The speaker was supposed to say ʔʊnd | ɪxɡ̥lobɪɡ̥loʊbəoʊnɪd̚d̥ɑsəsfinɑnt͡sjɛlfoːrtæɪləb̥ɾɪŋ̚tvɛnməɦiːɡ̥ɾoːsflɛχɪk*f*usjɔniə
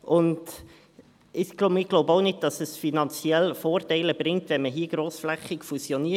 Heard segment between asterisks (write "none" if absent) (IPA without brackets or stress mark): f